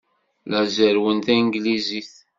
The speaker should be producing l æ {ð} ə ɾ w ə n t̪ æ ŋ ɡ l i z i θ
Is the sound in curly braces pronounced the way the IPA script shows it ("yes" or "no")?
no